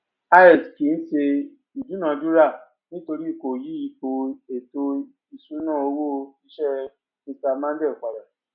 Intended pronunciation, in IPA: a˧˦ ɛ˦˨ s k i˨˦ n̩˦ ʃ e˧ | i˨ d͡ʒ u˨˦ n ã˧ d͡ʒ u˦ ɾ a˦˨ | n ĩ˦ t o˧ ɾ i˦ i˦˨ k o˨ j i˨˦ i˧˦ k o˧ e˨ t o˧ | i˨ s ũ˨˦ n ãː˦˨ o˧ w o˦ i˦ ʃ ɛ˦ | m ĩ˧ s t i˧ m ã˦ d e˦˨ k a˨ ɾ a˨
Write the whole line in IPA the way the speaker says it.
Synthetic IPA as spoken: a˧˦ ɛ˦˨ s k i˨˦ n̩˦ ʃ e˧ | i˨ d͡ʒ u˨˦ n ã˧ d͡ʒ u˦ ɾ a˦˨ | n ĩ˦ t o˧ ɾ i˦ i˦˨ k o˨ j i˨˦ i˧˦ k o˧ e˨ t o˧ | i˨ s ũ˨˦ n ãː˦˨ o˧ w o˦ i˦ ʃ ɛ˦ | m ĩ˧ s t a˧ m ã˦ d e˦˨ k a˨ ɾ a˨